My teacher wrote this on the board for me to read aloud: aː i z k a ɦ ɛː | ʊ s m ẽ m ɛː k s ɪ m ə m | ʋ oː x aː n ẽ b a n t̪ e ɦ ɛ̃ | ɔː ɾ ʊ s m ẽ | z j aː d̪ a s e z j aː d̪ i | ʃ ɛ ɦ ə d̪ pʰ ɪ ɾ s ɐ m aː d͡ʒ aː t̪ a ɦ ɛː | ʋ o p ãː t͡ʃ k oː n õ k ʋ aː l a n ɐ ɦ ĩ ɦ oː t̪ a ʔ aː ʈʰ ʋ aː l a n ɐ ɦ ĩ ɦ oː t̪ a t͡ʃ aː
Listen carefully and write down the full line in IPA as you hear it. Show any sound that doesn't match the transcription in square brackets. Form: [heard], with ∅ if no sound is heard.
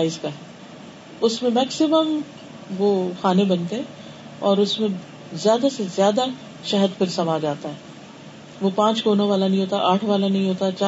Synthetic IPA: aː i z k a ɦ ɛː | ʊ s m ẽ m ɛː k s ɪ m ə m | ʋ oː x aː n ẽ b [ɐ] n t̪ e ɦ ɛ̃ | ɔː ɾ ʊ s m ẽ | z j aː d̪ a s e z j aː d̪ [a] | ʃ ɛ ɦ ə d̪ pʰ ɪ ɾ s ɐ m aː d͡ʒ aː t̪ a ɦ ɛː | ʋ o p ãː t͡ʃ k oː n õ [∅] ʋ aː l a n ɐ ɦ ĩ ɦ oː t̪ a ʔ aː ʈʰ ʋ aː l a n ɐ ɦ ĩ ɦ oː t̪ a t͡ʃ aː